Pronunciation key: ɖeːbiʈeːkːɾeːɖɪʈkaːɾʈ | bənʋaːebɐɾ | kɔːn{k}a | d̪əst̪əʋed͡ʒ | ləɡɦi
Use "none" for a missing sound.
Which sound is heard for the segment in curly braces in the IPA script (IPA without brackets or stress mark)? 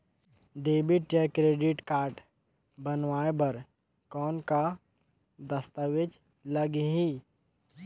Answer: k